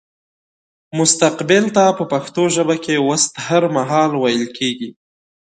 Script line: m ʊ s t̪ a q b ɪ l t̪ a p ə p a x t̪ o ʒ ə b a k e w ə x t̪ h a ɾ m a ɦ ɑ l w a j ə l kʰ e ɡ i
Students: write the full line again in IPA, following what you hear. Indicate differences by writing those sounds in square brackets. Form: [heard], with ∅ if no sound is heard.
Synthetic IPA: m ʊ s t̪ a q b ɪ l t̪ a p ə p a x t̪ o ʒ ə b a k e w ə [s] t̪ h a ɾ m a ɦ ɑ l w a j ə l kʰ e ɡ i

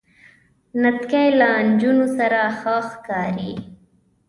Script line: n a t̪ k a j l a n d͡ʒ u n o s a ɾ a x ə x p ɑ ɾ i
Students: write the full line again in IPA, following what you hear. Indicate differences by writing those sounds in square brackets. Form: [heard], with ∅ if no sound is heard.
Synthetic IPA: n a t̪ k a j l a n d͡ʒ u n o s a ɾ a x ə x [k] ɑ ɾ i

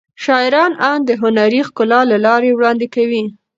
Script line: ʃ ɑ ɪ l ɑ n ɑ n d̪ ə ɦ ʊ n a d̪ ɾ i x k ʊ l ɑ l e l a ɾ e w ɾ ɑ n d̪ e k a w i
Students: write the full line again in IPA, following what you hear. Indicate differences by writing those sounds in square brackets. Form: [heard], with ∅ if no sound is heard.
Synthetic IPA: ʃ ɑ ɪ [ɾ] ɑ n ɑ n d̪ ə ɦ ʊ n a [∅] ɾ i x k ʊ l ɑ l [a] l [ɑ] ɾ e w [ɽ] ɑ n d̪ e k a w i

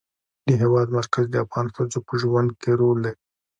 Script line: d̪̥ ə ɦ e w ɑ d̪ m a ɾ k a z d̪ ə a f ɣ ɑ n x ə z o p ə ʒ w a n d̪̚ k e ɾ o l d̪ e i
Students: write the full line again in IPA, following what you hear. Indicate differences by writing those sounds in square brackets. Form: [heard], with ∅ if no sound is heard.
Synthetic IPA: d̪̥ ə ɦ e w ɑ d̪ m a ɾ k a z d̪ ə a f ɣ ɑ n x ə z o p ə ʒ w a n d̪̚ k e ɾ o l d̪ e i

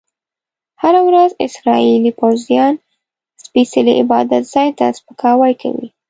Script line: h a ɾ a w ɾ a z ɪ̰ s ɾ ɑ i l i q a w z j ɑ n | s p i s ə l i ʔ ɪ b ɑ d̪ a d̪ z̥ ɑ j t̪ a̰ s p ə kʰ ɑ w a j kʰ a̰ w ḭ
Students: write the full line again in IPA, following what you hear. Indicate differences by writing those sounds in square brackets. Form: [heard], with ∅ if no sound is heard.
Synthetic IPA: h a ɾ a w ɾ a z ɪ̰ s ɾ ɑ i l i [p] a w z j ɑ n | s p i s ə l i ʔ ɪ b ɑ d̪ a [t̪] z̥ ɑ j t̪ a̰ s p ə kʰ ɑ w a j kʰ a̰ w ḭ

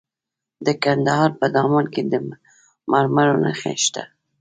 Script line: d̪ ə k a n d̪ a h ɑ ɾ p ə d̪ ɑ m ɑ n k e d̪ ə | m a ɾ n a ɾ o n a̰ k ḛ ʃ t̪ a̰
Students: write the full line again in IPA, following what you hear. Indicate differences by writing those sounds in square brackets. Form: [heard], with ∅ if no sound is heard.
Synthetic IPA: d̪ ə k a n d̪ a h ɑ ɾ p ə d̪ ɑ m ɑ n k e d̪ ə | m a ɾ [m] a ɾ o n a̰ [x] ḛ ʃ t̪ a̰

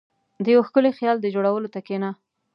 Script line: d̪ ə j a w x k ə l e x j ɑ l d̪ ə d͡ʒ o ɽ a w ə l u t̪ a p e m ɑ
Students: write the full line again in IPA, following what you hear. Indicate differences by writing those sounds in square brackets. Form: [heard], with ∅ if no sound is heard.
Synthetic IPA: d̪ ə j a w x k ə l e x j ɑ l d̪ ə d͡ʒ o ɽ a w ə l [o] t̪ a [k] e [n] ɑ

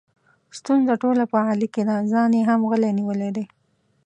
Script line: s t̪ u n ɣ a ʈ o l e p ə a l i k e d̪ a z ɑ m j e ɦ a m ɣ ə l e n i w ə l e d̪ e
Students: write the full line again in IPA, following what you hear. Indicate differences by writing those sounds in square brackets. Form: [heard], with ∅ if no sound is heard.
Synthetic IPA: s t̪ u n [z] a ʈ o l [a] p ə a l i k e d̪ a z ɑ [n] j e ɦ a m ɣ ə l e n i w ə l e d̪ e

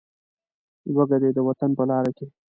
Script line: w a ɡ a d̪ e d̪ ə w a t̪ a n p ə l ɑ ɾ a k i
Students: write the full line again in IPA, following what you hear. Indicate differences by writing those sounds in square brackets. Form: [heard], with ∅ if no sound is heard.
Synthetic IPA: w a ɡ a d̪ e d̪ ə w a t̪ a n p ə l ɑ ɾ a k [e]

